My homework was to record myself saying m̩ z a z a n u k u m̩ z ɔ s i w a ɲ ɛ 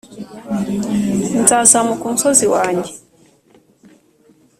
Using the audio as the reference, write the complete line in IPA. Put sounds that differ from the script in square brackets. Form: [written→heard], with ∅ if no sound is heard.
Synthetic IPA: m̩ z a z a [n→m] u k u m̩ [z→s] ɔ [s→z] i w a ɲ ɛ

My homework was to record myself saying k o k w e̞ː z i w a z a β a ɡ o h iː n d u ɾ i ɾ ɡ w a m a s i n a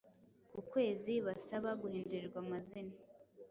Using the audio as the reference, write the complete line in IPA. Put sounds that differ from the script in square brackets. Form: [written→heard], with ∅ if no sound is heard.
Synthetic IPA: k [o→u] k w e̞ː z i [w→β] a [z→s] a β a ɡ [o→u] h iː n d u ɾ i ɾ ɡ w a m a [s→z] i n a

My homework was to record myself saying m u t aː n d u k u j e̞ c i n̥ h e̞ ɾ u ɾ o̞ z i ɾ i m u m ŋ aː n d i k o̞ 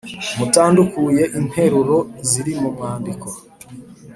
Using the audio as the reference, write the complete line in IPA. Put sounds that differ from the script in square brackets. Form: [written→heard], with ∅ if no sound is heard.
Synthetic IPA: m u t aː n d u k u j e̞ [c→ʔ] i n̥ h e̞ ɾ u ɾ o̞ z i ɾ i m u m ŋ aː n d i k o̞

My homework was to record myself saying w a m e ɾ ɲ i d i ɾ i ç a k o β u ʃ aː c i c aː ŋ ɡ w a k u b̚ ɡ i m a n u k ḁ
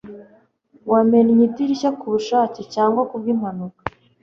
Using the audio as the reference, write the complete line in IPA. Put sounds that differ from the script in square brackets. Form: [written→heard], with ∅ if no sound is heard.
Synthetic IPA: w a m e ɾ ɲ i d i ɾ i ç a k [o→u] β u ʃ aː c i c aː ŋ ɡ w a k u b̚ ɡ i m a n u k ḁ

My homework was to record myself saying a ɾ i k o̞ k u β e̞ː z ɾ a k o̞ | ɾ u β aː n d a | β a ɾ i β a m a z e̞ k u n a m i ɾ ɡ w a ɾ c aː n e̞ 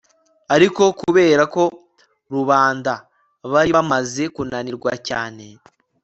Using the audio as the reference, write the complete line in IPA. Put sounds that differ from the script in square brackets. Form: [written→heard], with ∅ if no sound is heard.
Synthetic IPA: a ɾ i k o̞ k u β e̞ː [z→∅] ɾ a k o̞ | ɾ u β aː n d a | β a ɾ i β a m a z e̞ k u n a [m→n] i ɾ ɡ w a [ɾ→∅] c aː n e̞

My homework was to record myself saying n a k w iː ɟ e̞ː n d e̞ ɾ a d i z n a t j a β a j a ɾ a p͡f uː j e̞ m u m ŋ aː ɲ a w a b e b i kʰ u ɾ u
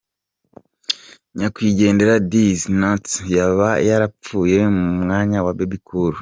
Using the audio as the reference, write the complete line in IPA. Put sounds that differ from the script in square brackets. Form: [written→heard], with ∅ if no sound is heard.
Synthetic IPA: [n→ɲ] a k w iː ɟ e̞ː n d e̞ ɾ a d i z n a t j a β a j a ɾ a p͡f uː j e̞ m u m ŋ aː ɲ a w a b e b i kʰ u ɾ u

